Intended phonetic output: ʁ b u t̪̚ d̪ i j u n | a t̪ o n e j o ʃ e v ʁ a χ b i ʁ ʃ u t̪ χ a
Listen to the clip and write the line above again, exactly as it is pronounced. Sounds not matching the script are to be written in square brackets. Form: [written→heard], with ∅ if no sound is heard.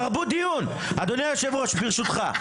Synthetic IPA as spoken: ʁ b u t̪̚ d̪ i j u n | a [t̪→d̪] o n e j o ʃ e v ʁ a [χ→ʃ] b i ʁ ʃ u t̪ χ a